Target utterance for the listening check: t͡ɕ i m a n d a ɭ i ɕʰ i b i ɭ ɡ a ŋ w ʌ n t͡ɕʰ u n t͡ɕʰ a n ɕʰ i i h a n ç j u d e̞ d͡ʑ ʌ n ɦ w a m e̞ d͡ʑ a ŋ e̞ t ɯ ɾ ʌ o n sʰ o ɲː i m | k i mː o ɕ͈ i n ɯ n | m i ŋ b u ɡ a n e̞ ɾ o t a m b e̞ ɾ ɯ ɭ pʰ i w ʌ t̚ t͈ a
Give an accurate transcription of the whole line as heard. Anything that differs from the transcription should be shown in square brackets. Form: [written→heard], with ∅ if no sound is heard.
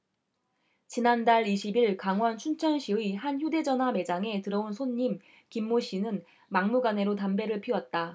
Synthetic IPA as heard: t͡ɕ i [m→n] a n d a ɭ i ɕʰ i b i ɭ [ɡ→k] a ŋ w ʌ n t͡ɕʰ u n t͡ɕʰ [a→ʌ] n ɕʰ i i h a n ç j u d e̞ d͡ʑ ʌ n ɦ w a m e̞ d͡ʑ a ŋ e̞ t ɯ ɾ ʌ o n sʰ o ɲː i m | k i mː o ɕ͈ i n ɯ n | m [i→a] ŋ [b→m] u ɡ a n e̞ ɾ o t a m b e̞ ɾ ɯ ɭ pʰ i w ʌ t̚ t͈ a